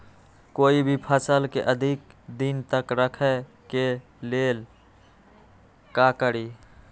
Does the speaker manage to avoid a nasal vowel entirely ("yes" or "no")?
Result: yes